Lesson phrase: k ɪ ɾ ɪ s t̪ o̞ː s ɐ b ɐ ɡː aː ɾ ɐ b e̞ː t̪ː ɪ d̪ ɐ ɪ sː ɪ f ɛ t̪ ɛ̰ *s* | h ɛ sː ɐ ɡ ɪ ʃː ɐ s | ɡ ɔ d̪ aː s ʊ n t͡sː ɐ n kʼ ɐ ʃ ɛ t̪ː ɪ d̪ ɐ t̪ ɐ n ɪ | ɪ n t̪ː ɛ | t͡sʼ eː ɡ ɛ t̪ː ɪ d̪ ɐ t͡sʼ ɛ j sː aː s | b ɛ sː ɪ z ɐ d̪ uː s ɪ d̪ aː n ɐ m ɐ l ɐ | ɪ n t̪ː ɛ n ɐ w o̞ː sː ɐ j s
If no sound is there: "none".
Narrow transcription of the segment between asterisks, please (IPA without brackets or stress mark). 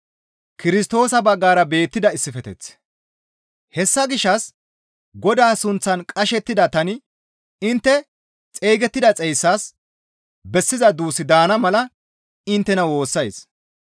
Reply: t͡s